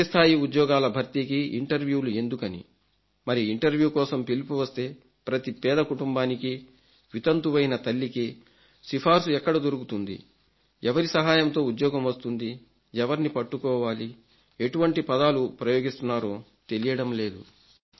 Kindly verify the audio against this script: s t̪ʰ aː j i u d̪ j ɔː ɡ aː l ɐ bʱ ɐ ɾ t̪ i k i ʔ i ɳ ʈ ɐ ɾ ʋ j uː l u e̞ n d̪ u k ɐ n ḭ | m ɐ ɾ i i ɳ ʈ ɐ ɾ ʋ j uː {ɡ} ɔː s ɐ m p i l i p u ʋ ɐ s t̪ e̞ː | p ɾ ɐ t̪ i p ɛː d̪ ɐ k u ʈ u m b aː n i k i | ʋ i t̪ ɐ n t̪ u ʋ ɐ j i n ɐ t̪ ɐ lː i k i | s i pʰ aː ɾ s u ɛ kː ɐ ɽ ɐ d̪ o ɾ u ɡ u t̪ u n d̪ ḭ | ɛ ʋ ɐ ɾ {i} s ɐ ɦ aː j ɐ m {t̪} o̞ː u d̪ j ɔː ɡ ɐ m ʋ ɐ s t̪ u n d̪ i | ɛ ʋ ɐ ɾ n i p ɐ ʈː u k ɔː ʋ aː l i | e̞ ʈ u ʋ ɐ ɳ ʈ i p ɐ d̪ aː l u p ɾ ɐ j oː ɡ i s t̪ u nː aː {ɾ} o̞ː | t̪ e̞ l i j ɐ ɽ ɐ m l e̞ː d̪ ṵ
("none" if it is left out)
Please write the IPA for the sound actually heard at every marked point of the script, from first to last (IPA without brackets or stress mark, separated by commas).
k, i, t̪, ɾ